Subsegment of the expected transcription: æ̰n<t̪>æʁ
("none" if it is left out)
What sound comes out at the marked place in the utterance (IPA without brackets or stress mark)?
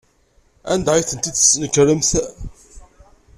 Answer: d̪